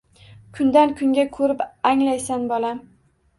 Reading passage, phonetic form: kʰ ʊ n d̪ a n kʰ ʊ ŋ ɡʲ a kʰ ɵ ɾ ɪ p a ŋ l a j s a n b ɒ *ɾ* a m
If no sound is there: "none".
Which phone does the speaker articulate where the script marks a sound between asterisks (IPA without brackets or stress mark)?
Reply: l